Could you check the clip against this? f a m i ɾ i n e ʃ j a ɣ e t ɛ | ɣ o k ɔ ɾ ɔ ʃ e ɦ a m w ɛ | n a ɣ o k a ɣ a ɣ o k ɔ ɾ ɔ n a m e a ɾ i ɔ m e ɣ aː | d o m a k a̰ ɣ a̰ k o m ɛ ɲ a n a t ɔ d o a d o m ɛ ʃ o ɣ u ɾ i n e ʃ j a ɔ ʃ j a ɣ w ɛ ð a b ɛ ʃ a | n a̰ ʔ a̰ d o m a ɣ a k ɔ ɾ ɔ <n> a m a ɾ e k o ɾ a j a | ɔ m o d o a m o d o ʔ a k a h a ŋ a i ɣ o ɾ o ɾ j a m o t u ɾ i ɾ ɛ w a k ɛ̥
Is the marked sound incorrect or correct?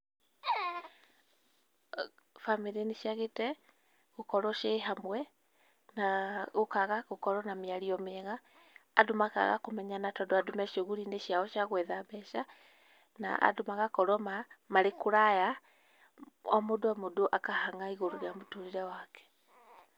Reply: incorrect